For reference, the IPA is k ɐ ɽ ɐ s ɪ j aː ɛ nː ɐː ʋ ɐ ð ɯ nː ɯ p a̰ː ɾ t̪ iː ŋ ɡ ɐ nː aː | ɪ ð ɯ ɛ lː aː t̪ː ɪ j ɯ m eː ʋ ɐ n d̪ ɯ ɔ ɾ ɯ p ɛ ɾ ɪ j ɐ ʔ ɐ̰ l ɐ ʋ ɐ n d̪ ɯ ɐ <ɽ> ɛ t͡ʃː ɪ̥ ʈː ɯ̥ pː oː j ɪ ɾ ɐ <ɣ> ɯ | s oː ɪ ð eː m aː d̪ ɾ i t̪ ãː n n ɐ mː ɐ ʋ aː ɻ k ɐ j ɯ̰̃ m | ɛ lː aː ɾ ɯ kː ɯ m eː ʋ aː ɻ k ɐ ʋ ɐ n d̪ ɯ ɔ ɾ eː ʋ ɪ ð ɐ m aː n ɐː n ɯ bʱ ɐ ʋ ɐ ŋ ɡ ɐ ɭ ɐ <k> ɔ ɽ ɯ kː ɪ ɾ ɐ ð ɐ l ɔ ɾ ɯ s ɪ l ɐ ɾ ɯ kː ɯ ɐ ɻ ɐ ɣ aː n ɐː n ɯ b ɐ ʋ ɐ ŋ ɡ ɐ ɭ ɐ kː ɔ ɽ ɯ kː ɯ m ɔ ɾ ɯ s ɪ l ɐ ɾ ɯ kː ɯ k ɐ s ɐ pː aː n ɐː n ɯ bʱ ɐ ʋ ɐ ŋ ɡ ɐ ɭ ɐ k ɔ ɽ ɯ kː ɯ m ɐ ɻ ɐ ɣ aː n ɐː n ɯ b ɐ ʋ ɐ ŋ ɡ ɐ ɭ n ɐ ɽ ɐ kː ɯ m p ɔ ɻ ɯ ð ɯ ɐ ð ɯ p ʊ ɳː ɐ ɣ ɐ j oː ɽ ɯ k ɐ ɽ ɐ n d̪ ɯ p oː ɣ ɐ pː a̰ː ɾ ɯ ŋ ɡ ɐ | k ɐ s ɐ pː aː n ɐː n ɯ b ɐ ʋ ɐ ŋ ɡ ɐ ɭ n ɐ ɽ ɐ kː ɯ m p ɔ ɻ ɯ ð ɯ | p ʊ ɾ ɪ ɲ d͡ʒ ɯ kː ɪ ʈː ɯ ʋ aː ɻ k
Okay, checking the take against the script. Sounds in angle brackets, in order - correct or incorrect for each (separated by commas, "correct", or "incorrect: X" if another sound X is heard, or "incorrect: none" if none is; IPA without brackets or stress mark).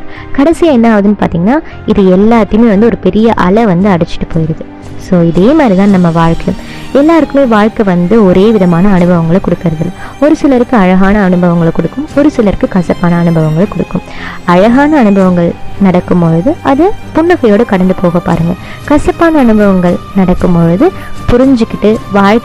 correct, incorrect: ð, correct